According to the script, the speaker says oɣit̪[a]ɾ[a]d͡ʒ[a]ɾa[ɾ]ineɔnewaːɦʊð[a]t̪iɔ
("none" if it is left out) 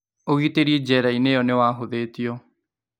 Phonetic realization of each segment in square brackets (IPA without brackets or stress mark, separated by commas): e, i, ɛ, none, e